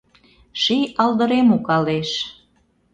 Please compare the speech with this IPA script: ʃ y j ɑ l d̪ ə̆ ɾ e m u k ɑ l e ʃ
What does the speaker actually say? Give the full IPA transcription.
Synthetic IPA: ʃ i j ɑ l d̪ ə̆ ɾ e m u k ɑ l e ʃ